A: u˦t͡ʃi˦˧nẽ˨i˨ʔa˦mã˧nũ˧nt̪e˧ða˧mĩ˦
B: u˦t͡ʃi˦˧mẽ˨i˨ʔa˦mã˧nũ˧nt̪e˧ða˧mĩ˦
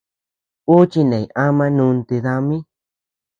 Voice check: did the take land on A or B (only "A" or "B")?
A